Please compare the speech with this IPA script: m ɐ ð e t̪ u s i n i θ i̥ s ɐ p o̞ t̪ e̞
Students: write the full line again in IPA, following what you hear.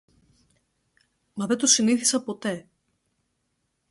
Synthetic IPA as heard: m ɐ ð e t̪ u s i n i θ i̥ s ɐ p o̞ t̪ e̞